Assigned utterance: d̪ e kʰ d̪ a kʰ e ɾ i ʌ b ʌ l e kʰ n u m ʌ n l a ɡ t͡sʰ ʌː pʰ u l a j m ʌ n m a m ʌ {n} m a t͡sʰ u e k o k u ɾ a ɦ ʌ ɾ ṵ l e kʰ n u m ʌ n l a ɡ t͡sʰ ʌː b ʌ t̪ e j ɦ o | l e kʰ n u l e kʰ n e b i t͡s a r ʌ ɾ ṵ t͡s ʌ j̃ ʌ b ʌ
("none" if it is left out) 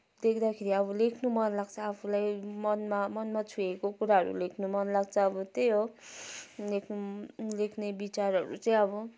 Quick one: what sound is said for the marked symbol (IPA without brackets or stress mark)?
n